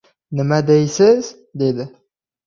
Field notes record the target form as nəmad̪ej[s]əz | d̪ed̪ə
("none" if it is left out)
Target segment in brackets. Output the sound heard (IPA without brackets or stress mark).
s